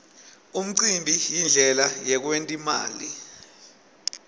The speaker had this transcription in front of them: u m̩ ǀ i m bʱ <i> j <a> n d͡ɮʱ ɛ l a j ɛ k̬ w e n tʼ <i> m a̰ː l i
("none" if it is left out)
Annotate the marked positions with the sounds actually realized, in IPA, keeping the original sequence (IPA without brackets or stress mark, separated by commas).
i, i, i